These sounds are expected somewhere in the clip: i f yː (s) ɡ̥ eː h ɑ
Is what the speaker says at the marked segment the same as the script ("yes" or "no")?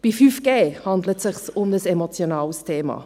no